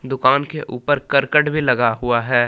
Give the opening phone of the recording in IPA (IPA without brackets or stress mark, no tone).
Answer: d̪